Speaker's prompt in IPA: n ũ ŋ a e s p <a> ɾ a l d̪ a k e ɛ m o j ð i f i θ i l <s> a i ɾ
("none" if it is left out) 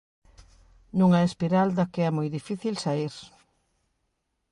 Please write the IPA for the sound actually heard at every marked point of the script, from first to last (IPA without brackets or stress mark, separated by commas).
i, s